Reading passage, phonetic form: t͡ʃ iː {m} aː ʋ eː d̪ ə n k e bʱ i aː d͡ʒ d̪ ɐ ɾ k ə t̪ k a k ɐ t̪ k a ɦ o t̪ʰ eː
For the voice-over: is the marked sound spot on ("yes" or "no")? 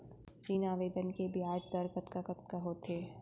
no